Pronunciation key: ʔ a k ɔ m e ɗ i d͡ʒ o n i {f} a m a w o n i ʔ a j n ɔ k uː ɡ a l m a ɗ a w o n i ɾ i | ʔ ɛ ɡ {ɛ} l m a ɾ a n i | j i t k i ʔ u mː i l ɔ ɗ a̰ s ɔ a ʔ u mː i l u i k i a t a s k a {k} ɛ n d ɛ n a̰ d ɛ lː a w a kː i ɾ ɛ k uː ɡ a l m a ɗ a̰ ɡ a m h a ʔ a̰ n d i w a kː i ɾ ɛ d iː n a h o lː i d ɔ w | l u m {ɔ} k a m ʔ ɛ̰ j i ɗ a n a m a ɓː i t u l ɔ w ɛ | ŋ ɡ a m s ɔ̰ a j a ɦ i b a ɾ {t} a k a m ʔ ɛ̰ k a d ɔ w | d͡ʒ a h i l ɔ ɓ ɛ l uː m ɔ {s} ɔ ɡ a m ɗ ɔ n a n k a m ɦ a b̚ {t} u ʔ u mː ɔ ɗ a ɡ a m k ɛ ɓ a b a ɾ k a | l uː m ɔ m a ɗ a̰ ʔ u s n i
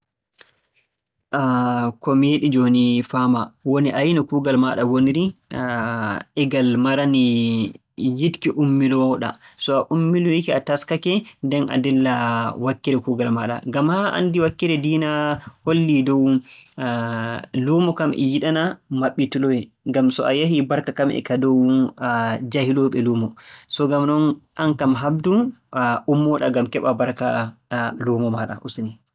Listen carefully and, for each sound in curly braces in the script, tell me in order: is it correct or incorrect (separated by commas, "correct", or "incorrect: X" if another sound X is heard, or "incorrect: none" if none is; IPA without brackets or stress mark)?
correct, incorrect: a, correct, correct, incorrect: k, correct, incorrect: d